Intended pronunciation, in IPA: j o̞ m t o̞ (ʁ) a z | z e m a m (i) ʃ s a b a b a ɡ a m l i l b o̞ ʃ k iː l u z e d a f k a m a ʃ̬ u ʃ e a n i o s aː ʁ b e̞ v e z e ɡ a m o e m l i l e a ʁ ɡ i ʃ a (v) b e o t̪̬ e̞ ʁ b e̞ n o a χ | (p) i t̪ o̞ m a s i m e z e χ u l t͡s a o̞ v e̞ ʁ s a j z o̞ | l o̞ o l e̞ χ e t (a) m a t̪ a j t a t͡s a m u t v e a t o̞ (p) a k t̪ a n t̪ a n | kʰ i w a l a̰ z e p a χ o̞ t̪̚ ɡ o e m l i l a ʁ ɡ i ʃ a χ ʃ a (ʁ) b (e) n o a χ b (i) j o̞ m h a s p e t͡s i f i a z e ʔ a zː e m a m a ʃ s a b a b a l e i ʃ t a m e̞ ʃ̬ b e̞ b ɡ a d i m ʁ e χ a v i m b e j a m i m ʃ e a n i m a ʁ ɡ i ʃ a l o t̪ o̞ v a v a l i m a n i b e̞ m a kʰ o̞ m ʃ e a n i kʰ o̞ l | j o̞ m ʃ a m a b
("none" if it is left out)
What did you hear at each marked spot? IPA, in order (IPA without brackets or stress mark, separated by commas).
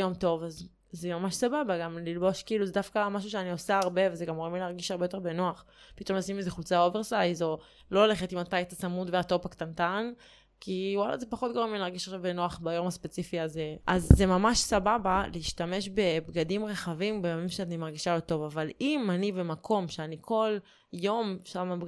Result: v, a, ʁ, p, i, p, v, e, a